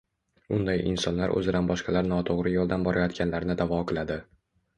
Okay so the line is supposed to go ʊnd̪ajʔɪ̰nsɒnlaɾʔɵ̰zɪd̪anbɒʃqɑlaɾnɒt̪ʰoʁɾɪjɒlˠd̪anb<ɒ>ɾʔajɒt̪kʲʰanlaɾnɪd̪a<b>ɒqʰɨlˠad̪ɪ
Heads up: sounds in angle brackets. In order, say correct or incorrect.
correct, incorrect

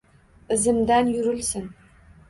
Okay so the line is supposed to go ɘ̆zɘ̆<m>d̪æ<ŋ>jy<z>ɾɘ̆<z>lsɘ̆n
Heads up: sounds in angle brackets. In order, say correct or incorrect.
correct, incorrect, incorrect, incorrect

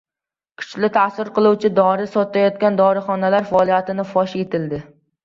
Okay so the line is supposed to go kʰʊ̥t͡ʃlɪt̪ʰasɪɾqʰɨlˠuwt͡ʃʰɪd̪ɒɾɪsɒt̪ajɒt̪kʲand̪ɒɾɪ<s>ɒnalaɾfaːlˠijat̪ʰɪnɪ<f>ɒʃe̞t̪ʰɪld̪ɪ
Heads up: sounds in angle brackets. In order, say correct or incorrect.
incorrect, correct

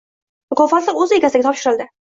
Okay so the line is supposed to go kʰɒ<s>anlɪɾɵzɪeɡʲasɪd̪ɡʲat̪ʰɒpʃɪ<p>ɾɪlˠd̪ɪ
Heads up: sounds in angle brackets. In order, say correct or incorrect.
incorrect, incorrect

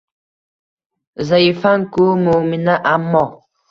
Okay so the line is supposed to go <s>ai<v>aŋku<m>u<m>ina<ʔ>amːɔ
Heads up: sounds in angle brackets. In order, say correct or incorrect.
incorrect, incorrect, correct, correct, correct

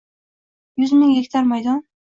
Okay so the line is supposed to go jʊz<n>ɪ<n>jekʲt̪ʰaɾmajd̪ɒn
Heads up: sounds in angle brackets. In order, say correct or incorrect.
incorrect, incorrect

